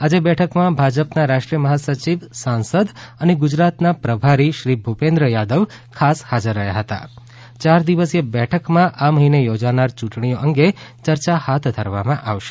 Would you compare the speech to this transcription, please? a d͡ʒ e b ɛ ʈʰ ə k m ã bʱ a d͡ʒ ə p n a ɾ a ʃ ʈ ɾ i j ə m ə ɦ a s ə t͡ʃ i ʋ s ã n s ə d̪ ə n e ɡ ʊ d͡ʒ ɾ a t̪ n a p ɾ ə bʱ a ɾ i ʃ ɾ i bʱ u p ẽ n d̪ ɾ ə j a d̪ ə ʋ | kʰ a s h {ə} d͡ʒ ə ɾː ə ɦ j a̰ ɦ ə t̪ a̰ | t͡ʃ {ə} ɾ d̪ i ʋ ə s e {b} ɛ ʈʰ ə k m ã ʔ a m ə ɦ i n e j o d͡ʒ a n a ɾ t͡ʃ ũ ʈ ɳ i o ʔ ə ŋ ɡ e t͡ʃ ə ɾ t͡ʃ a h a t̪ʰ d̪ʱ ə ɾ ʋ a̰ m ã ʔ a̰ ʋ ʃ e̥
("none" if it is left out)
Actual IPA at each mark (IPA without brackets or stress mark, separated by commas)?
a, a, b